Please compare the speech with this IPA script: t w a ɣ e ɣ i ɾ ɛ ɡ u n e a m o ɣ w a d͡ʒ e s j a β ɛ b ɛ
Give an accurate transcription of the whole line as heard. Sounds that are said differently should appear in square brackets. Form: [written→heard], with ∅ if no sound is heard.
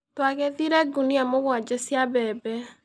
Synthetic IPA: t w a ɣ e [ɣ→ð] i ɾ ɛ ɡ u n [e→i] a m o ɣ w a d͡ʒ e s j a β ɛ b ɛ